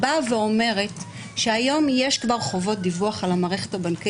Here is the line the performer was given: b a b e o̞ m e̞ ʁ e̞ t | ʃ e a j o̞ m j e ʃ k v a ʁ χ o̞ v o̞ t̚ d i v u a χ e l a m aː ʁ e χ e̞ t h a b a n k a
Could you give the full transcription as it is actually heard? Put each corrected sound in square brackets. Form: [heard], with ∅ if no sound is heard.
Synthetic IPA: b a [v] e o̞ m e̞ ʁ e̞ t | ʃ e a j o̞ m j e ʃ k v a ʁ χ o̞ v o̞ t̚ d i v u a χ [a] l a m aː ʁ e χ e̞ t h a b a n k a